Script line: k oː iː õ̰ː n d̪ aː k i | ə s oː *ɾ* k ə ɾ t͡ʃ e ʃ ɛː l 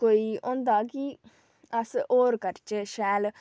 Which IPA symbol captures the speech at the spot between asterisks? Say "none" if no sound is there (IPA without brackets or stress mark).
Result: ɾ